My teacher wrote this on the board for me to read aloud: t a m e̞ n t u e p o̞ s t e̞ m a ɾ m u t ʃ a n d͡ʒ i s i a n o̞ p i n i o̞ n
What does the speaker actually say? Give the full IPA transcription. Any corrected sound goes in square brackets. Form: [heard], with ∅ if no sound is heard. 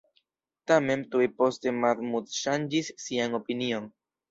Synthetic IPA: t a m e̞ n t u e p o̞ s t e̞ m a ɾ m u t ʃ a n d͡ʒ i [sː] i a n o̞ p i n i o̞ n

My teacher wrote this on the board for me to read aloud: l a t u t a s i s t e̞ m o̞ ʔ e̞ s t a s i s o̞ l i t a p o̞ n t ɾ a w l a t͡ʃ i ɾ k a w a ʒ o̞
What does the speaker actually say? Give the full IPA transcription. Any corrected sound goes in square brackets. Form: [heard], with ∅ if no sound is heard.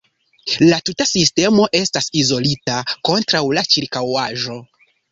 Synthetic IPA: l a t u t a s i s t e̞ m o̞ ʔ e̞ s t a s i [z] o̞ l i t a [k] o̞ n t ɾ a w l a t͡ʃ i ɾ k a w a ʒ o̞

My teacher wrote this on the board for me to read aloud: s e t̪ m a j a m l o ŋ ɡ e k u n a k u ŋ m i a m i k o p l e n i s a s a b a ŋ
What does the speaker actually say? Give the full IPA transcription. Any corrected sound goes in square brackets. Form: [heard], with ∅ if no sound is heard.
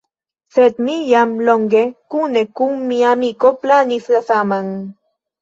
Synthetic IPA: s e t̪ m [i] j a m l o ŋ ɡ e k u n [e] k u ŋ m i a m i k o p l [a] n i s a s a [m] a ŋ

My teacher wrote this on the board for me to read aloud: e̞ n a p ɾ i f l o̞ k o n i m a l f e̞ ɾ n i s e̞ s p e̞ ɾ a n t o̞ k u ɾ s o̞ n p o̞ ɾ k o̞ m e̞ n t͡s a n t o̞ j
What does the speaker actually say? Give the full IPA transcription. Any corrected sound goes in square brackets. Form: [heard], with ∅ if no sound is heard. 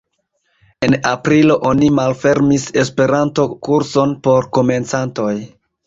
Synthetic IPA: e̞ n a p ɾ i [∅] l o̞ [ʔ] o n i m a l f e̞ ɾ [m] i s e̞ s p e̞ ɾ a n t o̞ k u ɾ s o̞ n p o̞ ɾ k o̞ m e̞ n t͡s a n t o̞ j

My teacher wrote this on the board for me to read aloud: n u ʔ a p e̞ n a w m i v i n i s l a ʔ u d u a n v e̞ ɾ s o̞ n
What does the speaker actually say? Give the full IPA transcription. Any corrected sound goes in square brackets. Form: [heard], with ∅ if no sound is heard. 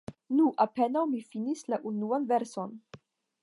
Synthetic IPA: n u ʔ a p e̞ n a w m i [f] i n i s l a ʔ u [n] u a n v e̞ ɾ s o̞ n

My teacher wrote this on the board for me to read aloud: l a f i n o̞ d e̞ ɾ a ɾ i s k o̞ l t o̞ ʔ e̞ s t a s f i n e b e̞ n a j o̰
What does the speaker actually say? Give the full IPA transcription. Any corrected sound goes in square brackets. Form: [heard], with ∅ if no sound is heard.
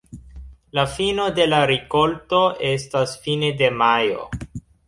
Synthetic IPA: l a f i n o̞ d e̞ [l] a ɾ i [∅] k o̞ l t o̞ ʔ e̞ s t a s f i n e [d] e̞ [m] a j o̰

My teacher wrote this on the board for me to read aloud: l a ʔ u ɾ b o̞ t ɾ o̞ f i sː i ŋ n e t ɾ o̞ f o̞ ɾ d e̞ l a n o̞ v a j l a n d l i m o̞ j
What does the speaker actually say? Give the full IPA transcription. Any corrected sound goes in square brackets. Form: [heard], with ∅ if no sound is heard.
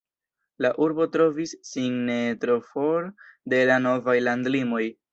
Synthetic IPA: l a ʔ u ɾ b o̞ t ɾ o̞ [v] i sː i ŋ n e t ɾ o̞ f o̞ ɾ d e̞ l a n o̞ v a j l a n d l i m o̞ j

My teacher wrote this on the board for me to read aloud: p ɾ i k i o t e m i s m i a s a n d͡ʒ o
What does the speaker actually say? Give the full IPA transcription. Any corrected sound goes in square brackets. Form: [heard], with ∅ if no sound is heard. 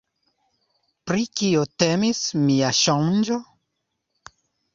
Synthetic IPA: p ɾ i k i o t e m i s m i a [ʃ] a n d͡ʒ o

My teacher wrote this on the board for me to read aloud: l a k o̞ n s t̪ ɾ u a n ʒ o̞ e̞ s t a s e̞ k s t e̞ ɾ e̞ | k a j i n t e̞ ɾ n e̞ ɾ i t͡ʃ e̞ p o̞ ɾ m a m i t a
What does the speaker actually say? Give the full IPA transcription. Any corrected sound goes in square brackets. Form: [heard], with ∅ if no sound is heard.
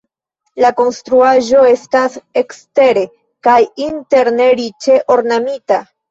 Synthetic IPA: l a k o̞ n s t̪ ɾ u a [∅] ʒ o̞ e̞ s t a s e̞ k s t e̞ ɾ e̞ | k a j i n t e̞ ɾ n e̞ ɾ i t͡ʃ e̞ [ʔ] o̞ ɾ [n] a m i t a

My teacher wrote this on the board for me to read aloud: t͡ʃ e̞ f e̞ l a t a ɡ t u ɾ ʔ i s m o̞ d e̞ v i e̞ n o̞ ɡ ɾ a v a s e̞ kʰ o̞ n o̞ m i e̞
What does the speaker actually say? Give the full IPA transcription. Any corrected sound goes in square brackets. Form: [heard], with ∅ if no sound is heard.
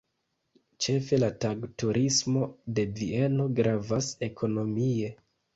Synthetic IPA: t͡ʃ e̞ f e̞ l a t a ɡ t u ɾ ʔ i s m o̞ d e̞ v i e̞ n o̞ ɡ ɾ a v a s e̞ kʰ o̞ n o̞ m i e̞

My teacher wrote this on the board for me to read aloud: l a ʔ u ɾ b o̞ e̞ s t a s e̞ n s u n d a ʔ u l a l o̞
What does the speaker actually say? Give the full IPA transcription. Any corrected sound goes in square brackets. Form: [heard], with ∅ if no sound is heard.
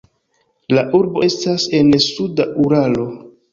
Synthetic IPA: l a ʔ u ɾ b o̞ e̞ s t a s e̞ n s u [∅] d a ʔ u [ɾ] a l o̞

